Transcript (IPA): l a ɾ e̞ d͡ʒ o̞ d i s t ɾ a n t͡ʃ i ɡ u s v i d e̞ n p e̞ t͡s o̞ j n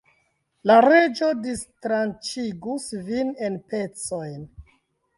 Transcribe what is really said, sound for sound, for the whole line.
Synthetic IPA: l a ɾ e̞ d͡ʒ o̞ d i s t ɾ a n t͡ʃ i ɡ u s v i n e̞ n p e̞ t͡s o̞ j n